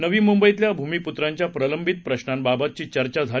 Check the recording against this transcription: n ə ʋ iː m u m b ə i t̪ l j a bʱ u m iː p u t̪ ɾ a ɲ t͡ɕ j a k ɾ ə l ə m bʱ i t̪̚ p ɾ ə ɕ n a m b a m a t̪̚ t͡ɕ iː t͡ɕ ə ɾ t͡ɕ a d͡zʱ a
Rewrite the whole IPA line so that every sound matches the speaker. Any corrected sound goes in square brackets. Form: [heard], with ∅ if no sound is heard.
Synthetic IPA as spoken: n ə ʋ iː m u m b ə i t̪ l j a bʱ u m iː p u t̪ ɾ a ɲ t͡ɕ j a [p] ɾ ə l ə m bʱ i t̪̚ p ɾ ə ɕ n a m b a [b] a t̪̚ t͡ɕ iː t͡ɕ ə ɾ t͡ɕ a d͡zʱ a